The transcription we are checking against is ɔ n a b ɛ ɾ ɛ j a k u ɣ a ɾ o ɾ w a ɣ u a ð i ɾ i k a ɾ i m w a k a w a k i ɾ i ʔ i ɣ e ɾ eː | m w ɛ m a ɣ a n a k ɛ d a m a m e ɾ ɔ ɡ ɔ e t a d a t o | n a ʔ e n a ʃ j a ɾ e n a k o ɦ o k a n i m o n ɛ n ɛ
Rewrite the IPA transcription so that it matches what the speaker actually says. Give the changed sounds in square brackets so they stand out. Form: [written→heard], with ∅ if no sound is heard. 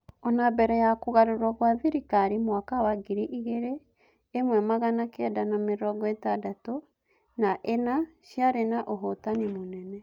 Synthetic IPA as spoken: ɔ n a b ɛ ɾ ɛ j a k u ɣ a ɾ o ɾ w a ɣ [u→w] a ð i ɾ i k a ɾ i m w a k a w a [k→ɡ] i ɾ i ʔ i ɣ e ɾ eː | m w ɛ m a ɣ a n a k ɛ d a [m→n] a m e ɾ ɔ ɡ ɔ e t a d a t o | n a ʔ e n a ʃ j a ɾ e n a [k→ʔ] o ɦ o [k→t] a n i m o n ɛ n ɛ

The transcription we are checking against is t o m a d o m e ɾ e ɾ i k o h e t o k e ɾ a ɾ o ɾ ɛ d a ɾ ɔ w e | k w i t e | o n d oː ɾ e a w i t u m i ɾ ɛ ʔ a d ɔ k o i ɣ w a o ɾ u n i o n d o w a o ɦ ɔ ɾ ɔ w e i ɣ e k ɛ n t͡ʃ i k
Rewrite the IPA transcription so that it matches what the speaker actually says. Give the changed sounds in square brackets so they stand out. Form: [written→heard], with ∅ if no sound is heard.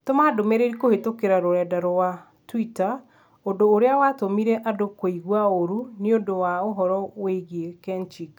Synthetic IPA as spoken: t o m a d o m e ɾ e ɾ i k o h e t o k e ɾ a ɾ o ɾ ɛ d a ɾ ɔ w [e→a] | [k→t] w i t [e→a] | o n d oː ɾ e a w [i→a] t [u→o] m i ɾ ɛ ʔ a d [ɔ→o] k o i ɣ w a o ɾ u n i o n d o w a o ɦ ɔ ɾ ɔ w e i ɣ e k ɛ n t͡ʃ i k

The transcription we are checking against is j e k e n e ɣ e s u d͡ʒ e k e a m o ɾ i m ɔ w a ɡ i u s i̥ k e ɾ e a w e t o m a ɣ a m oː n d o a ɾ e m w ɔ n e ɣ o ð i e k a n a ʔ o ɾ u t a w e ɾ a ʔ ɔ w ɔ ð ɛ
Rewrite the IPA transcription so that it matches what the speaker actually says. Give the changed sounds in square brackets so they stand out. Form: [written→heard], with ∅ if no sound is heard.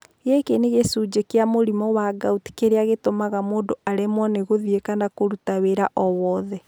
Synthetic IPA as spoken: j e k e n e ɣ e s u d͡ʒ e k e a m o ɾ i m ɔ w a ɡ [i→a] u [s→t] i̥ k e ɾ e a [w→ɣ] e t o m a ɣ a m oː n d o a ɾ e m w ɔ n e ɣ o ð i e k a n a [ʔ→k] o ɾ u t a w e ɾ a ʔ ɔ w ɔ ð ɛ

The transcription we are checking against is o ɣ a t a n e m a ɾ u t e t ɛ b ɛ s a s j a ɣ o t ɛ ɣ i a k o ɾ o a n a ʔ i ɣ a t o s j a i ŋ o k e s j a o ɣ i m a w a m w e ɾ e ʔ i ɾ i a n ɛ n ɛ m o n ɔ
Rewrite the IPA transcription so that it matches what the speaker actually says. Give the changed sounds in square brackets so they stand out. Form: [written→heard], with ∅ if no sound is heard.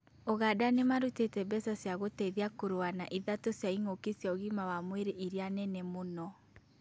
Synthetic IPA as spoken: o ɣ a [t→d] a n e m a ɾ u t e t ɛ b ɛ s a s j a ɣ o t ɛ [ɣ→ð] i a k o ɾ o a n a ʔ i [ɣ→ð] a t o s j a i ŋ o k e s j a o ɣ i m a w a m w e ɾ e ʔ i ɾ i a n ɛ n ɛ m o n ɔ

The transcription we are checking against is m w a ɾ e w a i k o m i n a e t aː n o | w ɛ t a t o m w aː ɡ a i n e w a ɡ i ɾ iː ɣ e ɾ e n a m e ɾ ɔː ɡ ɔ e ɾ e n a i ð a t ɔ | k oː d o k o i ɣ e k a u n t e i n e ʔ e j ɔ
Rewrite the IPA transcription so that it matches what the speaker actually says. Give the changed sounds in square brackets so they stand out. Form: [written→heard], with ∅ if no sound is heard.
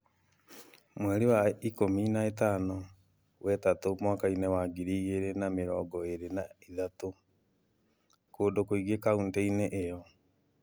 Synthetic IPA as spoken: m w [a→ɛ] ɾ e w a i k o m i n a e t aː n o | w ɛ t a t o m w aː [ɡ→k] a i n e w a ɡ i ɾ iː ɣ e ɾ e n a m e ɾ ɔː ɡ ɔ e ɾ e n a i ð a t [ɔ→o] | k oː d o k o i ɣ e k a u n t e i n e ʔ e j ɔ

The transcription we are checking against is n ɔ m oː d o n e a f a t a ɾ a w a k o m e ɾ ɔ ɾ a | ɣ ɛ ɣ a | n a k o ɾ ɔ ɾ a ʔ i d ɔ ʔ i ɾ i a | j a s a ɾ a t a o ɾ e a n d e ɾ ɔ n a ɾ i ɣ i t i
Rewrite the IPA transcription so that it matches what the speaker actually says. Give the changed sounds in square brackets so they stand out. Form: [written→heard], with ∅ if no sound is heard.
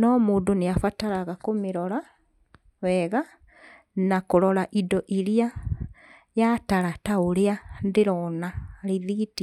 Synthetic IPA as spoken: n ɔ m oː d o n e a f a t a ɾ a [w→ɣ] a k o m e ɾ ɔ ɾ a | [ɣ→w] ɛ ɣ a | n a k o ɾ ɔ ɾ a ʔ i d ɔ ʔ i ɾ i a | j a [s→t] a ɾ a t a o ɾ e a n d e ɾ ɔ n a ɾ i [ɣ→ð] i t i

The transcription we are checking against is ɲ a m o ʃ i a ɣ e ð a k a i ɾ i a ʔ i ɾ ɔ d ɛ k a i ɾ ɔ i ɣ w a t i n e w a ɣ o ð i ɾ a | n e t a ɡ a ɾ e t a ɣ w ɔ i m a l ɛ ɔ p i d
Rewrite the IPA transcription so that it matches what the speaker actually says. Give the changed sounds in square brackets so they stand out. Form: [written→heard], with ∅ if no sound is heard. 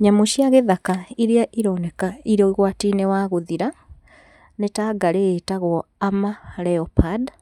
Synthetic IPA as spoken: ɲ a m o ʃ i a ɣ e ð a k a i ɾ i a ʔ i ɾ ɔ [d→n] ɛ k a i ɾ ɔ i ɣ w a t i n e w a ɣ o ð i ɾ a | n e t a ɡ a ɾ e t a ɣ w ɔ [i→a] m a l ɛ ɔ p [i→a] d

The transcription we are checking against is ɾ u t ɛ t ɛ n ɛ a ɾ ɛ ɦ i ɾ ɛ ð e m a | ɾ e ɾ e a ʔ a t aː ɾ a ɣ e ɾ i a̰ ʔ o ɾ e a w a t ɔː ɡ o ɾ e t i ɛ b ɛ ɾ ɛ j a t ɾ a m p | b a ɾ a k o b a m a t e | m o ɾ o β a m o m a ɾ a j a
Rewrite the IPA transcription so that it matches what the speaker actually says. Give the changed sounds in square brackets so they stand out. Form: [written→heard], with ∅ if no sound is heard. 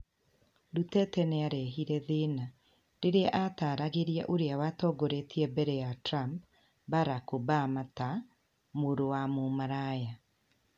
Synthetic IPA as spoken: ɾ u t ɛ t ɛ n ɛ a ɾ ɛ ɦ i ɾ ɛ ð e [m→n] a | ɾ e ɾ e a ʔ a t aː ɾ a ɣ e ɾ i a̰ ʔ o ɾ e a w a t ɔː ɡ o ɾ e t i ɛ b ɛ ɾ ɛ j a t ɾ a m p | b a ɾ a k o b a m a t [e→a] | m o ɾ o [β→w] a m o m a ɾ a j a

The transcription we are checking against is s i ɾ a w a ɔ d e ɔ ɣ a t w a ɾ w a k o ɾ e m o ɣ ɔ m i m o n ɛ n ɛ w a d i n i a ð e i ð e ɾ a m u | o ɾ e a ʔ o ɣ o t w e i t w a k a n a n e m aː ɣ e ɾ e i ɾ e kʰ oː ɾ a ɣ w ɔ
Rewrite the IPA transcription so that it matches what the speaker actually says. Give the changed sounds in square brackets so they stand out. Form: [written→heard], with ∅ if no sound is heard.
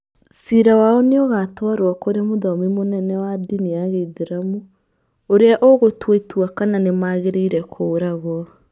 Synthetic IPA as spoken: s i ɾ a w a ɔ [d→n] e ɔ ɣ a t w a ɾ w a k o ɾ e m o [ɣ→ð] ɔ m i m o n ɛ n ɛ w a d i n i a [ð→ɣ] e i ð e ɾ a m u | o ɾ e a ʔ o ɣ o t w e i t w a k a n a n e m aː ɣ e ɾ e i ɾ [e→ɛ] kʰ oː ɾ a ɣ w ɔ

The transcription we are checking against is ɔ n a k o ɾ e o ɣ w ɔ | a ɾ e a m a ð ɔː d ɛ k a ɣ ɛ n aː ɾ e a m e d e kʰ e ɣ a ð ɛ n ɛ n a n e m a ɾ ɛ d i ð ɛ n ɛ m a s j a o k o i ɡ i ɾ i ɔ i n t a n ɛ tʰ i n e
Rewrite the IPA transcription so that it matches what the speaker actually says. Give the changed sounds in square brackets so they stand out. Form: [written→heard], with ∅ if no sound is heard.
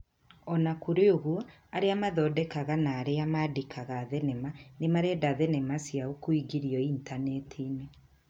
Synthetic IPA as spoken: ɔ n a k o ɾ e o ɣ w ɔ | a ɾ e a m a ð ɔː d ɛ k a ɣ [ɛ→a] n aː ɾ e a m [e→a] d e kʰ [e→a] ɣ a ð ɛ n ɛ [n→m] a n e m a ɾ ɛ d [i→a] ð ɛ n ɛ m a s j a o k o i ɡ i ɾ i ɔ i n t a n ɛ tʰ i n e

